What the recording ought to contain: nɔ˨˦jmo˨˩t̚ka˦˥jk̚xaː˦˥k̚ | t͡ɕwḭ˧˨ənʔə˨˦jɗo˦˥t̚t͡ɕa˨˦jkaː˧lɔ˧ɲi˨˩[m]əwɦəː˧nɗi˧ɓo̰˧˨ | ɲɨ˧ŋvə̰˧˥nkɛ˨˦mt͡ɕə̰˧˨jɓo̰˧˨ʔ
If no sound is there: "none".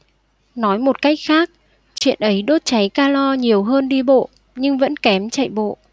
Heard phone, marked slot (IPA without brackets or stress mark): none